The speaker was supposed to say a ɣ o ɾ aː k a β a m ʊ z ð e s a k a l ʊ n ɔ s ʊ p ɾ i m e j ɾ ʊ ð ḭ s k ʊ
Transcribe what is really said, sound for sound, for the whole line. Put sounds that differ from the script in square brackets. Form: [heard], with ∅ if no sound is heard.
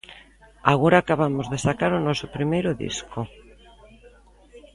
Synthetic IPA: a ɣ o ɾ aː k a β a m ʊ z ð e s a k a [ɾ] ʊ n ɔ s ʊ p ɾ i m e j ɾ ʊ ð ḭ s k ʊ